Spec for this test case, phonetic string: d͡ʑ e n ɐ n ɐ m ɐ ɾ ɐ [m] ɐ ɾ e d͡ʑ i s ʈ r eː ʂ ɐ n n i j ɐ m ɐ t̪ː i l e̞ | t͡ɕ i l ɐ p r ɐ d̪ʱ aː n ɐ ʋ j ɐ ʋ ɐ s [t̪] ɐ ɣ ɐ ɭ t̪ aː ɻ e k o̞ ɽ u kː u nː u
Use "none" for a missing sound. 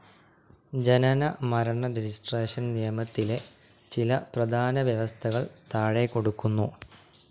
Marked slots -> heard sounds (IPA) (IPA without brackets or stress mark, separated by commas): ɳ, t̪ʰ